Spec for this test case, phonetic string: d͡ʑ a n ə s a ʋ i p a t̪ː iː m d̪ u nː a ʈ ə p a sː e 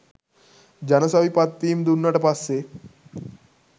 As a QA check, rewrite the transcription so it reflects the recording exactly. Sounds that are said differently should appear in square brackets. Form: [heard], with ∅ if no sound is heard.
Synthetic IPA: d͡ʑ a n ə s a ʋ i p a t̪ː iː m d̪ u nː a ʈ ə p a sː e